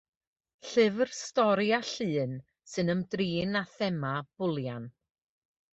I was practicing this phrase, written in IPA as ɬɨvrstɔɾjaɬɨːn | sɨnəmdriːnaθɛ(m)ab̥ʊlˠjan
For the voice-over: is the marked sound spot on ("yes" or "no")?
yes